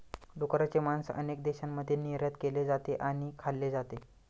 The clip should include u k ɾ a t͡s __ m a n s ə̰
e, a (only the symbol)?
e